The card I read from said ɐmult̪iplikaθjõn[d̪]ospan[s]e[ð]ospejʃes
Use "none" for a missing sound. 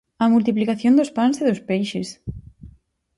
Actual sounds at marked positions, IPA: d̪, s, ð

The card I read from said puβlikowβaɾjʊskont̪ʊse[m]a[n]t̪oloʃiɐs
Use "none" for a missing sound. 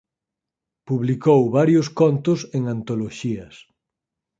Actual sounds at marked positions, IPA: ŋ, n

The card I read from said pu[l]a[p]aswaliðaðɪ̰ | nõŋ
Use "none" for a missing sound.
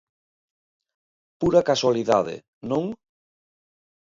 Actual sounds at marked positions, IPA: ɾ, k

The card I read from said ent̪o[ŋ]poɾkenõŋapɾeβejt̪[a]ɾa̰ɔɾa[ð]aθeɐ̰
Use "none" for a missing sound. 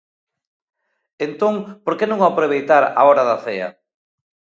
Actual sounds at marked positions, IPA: ŋ, a, ð

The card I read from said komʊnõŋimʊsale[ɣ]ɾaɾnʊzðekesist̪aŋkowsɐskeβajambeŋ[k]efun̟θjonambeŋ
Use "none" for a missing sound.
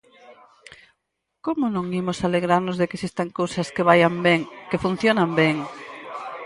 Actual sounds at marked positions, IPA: ɣ, k

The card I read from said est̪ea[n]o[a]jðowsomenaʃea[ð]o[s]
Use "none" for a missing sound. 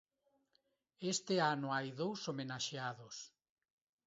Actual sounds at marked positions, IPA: n, a, ð, s

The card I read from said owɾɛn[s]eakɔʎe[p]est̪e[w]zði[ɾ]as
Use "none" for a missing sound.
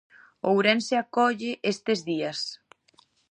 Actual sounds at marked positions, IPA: s, ʔ, none, none

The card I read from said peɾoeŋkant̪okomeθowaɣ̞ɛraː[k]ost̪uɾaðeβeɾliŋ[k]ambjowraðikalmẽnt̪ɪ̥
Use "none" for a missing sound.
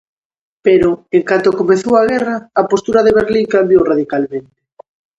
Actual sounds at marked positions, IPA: p, k

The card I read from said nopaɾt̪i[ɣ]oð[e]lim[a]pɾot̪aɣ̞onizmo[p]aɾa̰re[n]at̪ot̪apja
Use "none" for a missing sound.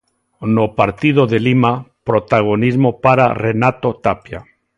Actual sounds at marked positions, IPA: ð, e, a, p, n

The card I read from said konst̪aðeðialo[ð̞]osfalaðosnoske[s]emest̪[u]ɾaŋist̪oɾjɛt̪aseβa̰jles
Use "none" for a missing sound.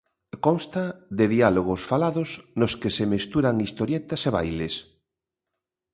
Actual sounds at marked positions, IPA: ɣ̞, s, u

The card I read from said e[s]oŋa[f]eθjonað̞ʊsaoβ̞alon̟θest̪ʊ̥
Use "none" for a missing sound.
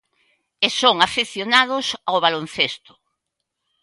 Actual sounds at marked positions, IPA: s, f

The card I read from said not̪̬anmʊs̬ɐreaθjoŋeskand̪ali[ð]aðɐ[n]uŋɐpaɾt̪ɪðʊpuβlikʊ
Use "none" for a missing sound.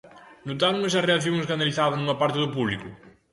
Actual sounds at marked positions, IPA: θ, n

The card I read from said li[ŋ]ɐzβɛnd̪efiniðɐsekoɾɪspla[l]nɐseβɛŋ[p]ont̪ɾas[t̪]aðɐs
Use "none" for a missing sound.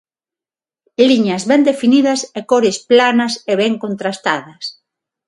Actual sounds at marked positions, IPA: ɲ, none, k, t̪

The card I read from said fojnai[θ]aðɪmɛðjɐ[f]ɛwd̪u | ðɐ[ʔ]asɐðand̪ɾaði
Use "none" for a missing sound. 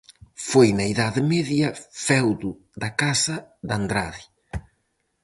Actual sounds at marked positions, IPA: ð, f, k

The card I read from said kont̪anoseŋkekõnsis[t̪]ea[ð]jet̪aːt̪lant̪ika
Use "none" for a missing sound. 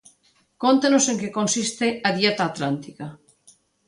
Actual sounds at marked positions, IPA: t̪, ð

